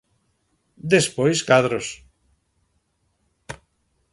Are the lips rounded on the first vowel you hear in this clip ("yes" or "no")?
no